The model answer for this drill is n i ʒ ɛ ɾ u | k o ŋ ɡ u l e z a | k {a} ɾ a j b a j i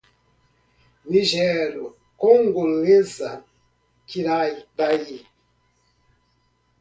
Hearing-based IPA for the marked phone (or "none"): i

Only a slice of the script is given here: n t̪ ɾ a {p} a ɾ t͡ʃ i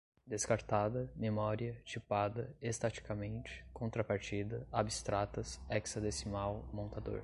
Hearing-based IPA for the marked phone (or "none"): p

